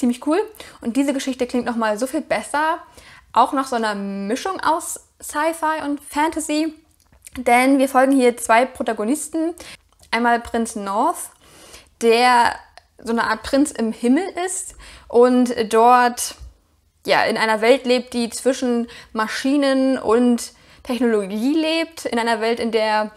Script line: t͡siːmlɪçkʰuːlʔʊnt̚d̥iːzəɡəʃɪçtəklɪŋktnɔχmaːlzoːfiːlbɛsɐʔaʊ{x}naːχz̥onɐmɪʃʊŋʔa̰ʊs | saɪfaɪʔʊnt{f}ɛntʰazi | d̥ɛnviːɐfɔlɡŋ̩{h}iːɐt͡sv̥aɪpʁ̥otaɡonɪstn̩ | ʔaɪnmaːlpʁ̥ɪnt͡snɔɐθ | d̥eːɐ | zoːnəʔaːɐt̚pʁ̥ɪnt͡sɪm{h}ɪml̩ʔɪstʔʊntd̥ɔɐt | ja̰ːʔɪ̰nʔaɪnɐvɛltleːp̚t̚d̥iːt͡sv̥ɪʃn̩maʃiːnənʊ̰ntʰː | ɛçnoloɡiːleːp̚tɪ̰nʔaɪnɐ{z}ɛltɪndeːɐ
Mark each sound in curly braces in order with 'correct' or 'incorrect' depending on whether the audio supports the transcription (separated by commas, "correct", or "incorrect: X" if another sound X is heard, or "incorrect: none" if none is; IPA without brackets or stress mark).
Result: correct, correct, correct, correct, incorrect: v